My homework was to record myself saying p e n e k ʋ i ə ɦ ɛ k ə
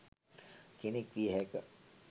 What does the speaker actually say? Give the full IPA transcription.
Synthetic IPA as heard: k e n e k ʋ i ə ɦ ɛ k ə